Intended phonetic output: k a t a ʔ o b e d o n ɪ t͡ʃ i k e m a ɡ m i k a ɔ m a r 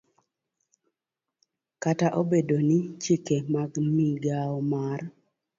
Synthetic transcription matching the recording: k a t a ʔ o b e d o n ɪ t͡ʃ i k e m a ɡ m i ɡ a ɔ m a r